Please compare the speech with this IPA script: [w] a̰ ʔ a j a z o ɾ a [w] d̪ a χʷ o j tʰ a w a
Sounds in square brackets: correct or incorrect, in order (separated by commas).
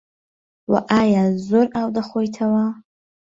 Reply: correct, correct